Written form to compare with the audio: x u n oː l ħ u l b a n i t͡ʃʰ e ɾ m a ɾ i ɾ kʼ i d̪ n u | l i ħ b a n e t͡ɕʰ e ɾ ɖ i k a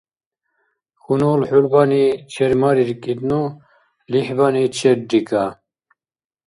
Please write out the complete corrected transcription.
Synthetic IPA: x u n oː l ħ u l b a n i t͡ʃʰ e ɾ m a ɾ i ɾ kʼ i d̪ n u | l i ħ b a n i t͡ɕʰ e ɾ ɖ i k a